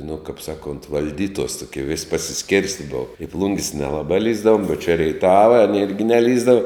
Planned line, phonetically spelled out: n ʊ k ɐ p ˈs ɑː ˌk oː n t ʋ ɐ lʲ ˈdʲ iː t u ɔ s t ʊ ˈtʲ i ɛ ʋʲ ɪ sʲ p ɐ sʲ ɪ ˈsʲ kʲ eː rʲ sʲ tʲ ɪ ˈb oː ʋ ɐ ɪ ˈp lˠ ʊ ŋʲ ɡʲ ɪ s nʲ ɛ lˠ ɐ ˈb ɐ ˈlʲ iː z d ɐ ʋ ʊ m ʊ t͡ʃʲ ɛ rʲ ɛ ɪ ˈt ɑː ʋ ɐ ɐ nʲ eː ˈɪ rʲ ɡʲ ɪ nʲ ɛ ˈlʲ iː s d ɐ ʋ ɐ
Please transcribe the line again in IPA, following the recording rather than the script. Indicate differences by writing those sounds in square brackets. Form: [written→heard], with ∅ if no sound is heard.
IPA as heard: n ʊ k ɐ p ˈs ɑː ˌk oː n t ʋ ɐ lʲ ˈdʲ iː t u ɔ s t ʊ [ˈtʲ→ˈkʲ] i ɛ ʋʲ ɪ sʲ p ɐ sʲ ɪ ˈsʲ kʲ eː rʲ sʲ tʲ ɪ ˈb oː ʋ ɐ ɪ ˈp lˠ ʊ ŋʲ ɡʲ ɪ s nʲ ɛ lˠ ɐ ˈb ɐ ˈlʲ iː z d ɐ ʋ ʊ m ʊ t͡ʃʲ ɛ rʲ ɛ ɪ ˈt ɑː ʋ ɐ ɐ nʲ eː ˈɪ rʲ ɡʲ ɪ nʲ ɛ ˈlʲ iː [s→z] d ɐ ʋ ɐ

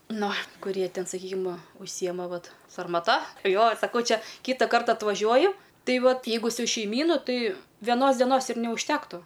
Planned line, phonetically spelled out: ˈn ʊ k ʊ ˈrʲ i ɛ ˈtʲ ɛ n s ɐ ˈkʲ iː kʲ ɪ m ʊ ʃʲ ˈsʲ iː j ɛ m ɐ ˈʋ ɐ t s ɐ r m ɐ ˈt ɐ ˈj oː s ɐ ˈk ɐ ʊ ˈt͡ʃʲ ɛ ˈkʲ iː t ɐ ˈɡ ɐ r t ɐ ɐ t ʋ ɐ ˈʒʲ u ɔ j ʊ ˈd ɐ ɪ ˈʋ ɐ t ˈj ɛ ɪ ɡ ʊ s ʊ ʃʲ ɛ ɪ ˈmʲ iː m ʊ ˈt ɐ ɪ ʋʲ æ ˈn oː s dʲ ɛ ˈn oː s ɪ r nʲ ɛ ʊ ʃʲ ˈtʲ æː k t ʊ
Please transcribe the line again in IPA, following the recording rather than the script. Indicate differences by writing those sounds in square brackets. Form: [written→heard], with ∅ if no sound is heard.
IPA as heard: ˈn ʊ k ʊ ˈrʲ i ɛ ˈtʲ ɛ n s ɐ ˈkʲ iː kʲ ɪ m ʊ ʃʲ ˈsʲ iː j ɛ m ɐ ˈʋ ɐ t s ɐ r m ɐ ˈt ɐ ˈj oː s ɐ ˈk ɐ ʊ ˈt͡ʃʲ ɛ ˈkʲ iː t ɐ [ˈɡ→ˈk] ɐ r t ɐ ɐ t ʋ ɐ ˈʒʲ u ɔ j ʊ [ˈd→ˈt] ɐ ɪ ˈʋ ɐ t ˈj ɛ ɪ ɡ ʊ s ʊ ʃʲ ɛ ɪ ˈmʲ iː [m→n] ʊ ˈt ɐ ɪ ʋʲ [æ→ɛ] ˈn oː s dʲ ɛ ˈn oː s ɪ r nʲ ɛ ʊ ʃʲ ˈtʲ æː k t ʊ

